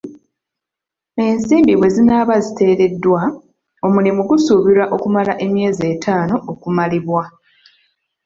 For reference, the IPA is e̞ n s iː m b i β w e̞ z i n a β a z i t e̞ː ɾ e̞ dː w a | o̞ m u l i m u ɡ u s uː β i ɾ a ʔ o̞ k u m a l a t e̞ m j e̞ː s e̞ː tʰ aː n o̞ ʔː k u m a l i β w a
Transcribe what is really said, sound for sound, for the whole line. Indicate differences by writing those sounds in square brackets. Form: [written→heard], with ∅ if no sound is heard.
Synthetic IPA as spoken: e̞ n s iː m b i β w e̞ z i n a β a z i t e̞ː ɾ e̞ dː w a | o̞ m u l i m u ɡ u s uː β i ɾ a ʔ o̞ k u m a l a [t→ʔ] e̞ m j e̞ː [s→z] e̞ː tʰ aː n o̞ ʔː k u m a l i β w a